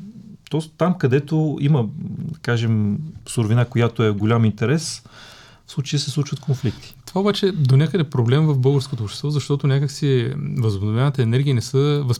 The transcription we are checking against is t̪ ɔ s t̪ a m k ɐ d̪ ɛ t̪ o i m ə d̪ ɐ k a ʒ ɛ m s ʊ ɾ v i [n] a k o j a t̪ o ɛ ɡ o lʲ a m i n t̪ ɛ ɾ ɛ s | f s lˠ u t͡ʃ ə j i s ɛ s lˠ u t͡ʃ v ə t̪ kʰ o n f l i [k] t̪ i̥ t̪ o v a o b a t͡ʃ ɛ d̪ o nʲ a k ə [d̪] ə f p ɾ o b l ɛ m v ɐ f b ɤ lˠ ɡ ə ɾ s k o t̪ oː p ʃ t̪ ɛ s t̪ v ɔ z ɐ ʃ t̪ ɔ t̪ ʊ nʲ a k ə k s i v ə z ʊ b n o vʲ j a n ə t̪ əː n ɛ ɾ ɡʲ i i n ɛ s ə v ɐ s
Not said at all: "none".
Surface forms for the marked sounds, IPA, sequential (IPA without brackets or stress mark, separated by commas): n, k, d̪